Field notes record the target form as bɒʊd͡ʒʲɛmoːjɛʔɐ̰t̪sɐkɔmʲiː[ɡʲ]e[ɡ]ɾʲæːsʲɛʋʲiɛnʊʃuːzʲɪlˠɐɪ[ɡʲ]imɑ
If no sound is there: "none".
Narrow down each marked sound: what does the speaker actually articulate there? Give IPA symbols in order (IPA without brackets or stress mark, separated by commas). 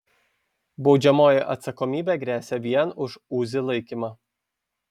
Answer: bʲ, ɡ, kʲ